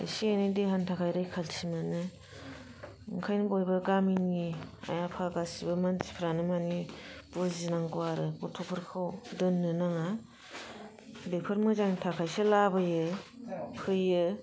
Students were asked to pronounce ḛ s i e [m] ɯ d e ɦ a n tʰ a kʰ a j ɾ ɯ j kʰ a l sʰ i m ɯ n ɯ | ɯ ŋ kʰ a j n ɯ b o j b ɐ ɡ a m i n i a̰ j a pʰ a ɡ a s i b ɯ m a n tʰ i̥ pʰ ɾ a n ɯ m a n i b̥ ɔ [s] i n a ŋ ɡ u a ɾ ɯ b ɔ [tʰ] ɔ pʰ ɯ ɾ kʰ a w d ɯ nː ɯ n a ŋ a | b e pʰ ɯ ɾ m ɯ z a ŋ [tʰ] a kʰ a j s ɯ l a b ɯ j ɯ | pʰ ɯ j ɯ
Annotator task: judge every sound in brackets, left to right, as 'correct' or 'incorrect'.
incorrect, incorrect, correct, correct

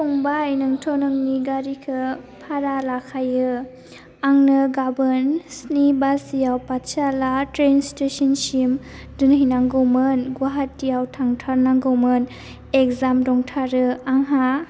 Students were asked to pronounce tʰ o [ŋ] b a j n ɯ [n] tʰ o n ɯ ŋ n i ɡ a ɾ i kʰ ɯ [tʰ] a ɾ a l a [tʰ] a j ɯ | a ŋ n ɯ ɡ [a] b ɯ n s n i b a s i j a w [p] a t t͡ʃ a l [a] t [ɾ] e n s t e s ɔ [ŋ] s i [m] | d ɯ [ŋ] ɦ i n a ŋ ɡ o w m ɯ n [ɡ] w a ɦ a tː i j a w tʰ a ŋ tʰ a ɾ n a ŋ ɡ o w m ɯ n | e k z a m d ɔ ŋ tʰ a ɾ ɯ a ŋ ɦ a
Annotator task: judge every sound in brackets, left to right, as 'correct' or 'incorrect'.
correct, incorrect, incorrect, incorrect, correct, correct, correct, correct, incorrect, correct, incorrect, correct

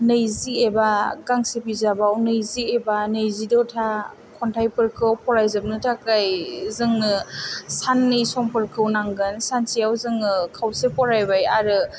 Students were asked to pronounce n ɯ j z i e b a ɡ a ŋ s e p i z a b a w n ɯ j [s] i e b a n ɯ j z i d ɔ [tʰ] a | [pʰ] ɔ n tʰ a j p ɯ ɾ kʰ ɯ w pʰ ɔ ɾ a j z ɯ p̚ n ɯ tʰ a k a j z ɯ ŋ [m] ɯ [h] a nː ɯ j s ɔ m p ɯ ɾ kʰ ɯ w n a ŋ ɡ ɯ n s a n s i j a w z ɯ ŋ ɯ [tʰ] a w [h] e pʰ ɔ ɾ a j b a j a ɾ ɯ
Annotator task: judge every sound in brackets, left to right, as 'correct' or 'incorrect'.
incorrect, correct, incorrect, incorrect, incorrect, incorrect, incorrect

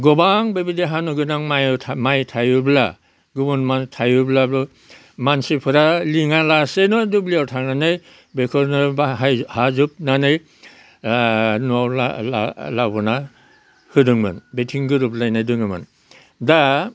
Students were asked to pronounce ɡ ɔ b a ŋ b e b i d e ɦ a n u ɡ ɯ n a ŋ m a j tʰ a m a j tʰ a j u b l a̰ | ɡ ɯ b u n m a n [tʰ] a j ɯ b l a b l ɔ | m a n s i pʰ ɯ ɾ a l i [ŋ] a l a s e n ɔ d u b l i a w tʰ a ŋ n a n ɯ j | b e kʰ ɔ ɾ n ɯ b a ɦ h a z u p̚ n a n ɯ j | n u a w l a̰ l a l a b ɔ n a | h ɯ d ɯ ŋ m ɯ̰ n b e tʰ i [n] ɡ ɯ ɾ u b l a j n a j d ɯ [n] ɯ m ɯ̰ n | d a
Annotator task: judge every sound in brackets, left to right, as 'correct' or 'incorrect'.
correct, correct, incorrect, incorrect

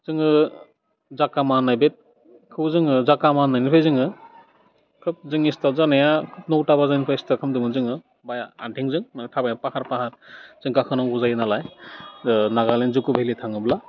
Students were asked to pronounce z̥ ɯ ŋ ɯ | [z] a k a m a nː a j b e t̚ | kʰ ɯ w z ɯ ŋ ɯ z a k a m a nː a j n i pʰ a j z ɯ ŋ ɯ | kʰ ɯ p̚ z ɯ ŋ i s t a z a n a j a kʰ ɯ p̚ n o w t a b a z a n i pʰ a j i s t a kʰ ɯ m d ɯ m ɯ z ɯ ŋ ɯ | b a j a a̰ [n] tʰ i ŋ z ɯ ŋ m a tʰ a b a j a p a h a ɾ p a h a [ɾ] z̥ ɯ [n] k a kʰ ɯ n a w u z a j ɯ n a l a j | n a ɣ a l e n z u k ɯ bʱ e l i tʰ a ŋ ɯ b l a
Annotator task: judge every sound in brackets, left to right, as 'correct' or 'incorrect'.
correct, correct, correct, incorrect

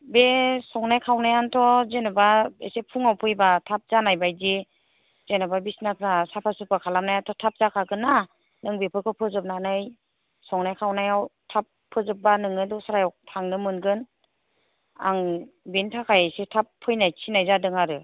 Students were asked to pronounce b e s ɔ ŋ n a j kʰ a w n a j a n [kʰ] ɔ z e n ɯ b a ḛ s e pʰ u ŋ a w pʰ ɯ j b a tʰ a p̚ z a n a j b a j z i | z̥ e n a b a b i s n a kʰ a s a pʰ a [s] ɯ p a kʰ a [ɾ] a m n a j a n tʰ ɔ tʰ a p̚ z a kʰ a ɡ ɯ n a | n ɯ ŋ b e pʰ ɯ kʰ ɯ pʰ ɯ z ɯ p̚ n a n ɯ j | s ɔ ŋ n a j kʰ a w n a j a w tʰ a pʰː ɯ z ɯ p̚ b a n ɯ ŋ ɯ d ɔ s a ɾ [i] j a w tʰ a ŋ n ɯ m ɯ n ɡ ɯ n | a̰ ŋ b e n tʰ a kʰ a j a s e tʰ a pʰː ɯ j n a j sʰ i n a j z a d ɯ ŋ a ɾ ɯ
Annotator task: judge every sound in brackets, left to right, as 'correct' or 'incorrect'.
incorrect, correct, incorrect, incorrect

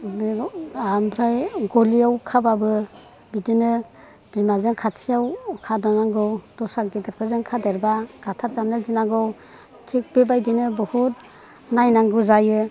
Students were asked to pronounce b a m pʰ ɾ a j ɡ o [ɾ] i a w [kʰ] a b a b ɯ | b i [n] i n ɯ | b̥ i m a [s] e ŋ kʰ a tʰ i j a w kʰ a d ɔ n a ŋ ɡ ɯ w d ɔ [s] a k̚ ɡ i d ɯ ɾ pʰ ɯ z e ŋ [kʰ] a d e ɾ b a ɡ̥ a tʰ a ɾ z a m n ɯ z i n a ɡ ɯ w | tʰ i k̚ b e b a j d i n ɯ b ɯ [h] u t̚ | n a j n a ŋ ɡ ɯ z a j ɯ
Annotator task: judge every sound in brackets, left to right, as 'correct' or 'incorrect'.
incorrect, correct, incorrect, incorrect, correct, correct, correct

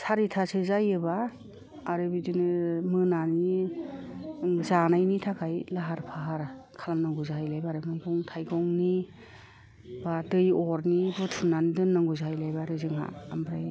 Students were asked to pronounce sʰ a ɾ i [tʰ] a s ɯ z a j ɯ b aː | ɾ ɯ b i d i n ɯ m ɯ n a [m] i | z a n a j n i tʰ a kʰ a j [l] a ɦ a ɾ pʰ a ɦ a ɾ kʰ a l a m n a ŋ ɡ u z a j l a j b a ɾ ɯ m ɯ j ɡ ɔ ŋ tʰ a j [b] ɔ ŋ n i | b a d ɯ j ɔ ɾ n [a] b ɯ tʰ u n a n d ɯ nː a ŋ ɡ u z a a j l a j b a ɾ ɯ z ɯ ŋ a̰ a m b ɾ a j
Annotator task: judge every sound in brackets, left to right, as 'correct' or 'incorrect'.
correct, incorrect, correct, incorrect, incorrect

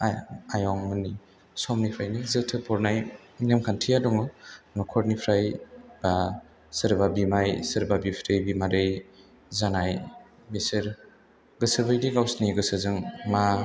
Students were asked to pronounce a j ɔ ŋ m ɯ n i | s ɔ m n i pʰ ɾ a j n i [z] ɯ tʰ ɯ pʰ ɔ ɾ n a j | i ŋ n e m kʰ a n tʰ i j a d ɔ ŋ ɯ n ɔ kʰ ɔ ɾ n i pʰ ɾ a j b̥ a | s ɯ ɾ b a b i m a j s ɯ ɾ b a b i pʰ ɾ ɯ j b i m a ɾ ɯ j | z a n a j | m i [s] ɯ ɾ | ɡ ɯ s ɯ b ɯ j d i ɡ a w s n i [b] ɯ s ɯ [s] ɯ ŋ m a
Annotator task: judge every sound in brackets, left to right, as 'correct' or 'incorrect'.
correct, correct, incorrect, incorrect

